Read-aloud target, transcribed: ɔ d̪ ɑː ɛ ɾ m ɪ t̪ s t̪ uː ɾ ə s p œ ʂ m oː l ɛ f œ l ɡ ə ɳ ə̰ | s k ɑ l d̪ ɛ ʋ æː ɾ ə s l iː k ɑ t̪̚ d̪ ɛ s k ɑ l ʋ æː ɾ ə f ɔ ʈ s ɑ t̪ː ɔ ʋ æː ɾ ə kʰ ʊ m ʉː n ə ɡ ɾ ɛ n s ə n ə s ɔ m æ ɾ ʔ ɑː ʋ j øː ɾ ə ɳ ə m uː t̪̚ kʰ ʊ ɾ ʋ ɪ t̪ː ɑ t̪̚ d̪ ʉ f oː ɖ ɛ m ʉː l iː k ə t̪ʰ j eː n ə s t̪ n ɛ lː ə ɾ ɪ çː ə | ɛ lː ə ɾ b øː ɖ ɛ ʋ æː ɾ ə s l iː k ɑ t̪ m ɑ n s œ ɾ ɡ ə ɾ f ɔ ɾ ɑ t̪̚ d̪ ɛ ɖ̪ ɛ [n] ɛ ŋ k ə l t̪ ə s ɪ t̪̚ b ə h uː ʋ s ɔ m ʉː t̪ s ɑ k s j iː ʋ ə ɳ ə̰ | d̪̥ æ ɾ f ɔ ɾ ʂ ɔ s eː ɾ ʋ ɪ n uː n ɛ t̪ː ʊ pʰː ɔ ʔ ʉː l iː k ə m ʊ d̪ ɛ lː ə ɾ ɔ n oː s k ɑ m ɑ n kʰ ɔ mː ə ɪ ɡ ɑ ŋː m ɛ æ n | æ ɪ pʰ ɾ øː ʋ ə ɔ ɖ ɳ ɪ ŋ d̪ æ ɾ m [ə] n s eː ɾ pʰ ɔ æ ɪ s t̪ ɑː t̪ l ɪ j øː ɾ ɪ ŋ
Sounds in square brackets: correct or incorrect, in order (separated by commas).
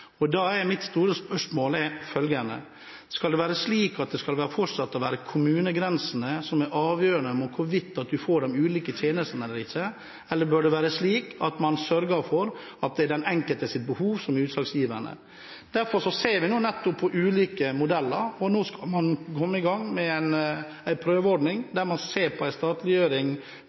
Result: correct, incorrect